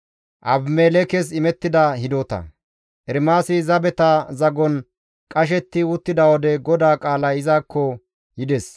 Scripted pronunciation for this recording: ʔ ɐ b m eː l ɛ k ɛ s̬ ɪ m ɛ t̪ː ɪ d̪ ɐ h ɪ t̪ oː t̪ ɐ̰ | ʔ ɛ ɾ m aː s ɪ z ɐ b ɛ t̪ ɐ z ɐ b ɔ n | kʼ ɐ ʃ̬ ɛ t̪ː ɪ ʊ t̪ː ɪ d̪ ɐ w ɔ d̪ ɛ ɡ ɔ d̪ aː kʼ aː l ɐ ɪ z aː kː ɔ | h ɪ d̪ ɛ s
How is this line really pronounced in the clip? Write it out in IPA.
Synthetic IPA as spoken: ʔ ɐ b m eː l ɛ k ɛ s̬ ɪ m ɛ t̪ː ɪ d̪ ɐ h ɪ d̪ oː t̪ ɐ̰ | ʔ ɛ ɾ m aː s ɪ z ɐ b ɛ t̪ ɐ z ɐ ɡ ɔ n | kʼ ɐ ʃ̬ ɛ t̪ː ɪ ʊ t̪ː ɪ d̪ ɐ w ɔ d̪ ɛ ɡ ɔ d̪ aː kʼ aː l ɐ ɪ z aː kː ɔ | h ɪ d̪ ɛ s